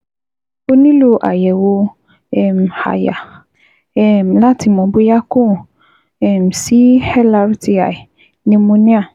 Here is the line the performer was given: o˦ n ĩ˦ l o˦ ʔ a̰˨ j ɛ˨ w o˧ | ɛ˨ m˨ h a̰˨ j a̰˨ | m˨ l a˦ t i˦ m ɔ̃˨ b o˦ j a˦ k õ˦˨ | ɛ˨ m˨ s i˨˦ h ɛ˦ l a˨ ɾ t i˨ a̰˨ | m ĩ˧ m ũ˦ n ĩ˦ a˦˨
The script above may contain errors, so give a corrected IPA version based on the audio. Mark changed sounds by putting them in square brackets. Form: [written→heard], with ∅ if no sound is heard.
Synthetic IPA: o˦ n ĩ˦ l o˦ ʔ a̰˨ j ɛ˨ w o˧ | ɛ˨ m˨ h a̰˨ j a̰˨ | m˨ l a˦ t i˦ m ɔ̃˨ b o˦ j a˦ k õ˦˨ | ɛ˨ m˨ s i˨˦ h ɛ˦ l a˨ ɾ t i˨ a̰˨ | [m→n] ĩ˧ m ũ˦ n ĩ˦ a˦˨

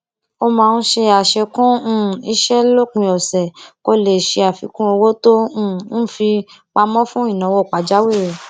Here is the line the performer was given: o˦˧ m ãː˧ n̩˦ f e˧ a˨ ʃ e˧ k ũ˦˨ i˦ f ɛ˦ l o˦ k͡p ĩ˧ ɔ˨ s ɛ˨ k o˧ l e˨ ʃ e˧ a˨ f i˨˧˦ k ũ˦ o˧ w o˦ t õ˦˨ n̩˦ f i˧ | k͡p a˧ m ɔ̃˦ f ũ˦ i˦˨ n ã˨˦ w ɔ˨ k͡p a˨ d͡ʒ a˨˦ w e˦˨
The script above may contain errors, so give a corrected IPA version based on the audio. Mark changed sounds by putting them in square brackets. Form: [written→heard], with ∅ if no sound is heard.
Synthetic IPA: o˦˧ m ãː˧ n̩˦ [f→ʃ] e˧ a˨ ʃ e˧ k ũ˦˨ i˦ [f→ʃ] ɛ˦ l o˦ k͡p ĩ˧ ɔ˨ s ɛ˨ k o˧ l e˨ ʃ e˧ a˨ f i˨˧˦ k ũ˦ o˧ w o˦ t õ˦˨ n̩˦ f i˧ | k͡p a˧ m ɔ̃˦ f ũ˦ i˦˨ n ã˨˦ w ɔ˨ k͡p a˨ d͡ʒ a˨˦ w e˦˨

